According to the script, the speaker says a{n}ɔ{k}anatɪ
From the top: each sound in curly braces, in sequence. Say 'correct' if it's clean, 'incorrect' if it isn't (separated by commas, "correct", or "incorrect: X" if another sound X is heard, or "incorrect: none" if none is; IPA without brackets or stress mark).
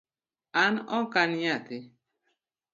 correct, correct